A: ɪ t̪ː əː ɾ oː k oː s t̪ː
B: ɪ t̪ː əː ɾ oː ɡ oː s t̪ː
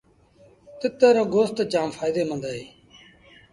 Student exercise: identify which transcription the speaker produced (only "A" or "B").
B